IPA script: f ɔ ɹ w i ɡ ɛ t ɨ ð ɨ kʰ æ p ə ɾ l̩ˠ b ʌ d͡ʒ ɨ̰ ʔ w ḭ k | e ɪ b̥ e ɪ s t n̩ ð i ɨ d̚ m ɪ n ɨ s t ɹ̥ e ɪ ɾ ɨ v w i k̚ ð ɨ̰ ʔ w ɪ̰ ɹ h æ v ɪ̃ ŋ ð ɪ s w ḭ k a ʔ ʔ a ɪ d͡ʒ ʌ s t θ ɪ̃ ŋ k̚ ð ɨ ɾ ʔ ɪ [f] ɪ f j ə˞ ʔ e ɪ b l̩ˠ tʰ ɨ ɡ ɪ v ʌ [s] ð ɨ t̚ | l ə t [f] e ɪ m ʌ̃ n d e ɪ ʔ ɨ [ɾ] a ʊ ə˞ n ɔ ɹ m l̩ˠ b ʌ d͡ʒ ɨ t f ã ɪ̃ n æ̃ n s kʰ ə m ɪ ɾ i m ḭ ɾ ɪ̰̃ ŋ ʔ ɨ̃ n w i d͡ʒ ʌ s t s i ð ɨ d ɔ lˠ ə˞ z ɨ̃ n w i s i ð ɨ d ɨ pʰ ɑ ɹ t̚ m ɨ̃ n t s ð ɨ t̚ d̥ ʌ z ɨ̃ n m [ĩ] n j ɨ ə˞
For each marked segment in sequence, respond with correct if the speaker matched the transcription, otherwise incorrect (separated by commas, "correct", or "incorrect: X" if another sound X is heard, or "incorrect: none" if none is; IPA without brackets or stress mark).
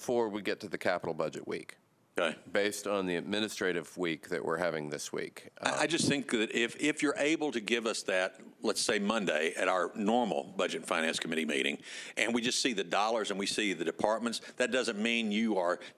correct, correct, incorrect: s, correct, correct